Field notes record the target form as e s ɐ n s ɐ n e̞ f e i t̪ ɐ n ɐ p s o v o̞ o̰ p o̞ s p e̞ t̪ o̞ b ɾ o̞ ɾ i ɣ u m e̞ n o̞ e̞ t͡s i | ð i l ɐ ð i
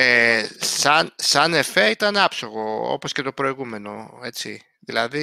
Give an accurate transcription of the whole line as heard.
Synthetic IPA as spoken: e s ɐ n s ɐ n e̞ f e i t̪ ɐ n ɐ p s o ɣ o̞ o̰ p o̞ s c e̞ t̪ o̞ p ɾ o̞ i ɣ u m e̞ n o̞ e̞ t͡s i | ð i l ɐ ð i